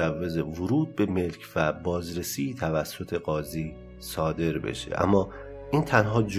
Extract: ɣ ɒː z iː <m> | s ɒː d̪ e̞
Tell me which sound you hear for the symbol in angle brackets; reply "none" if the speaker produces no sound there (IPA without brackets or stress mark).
none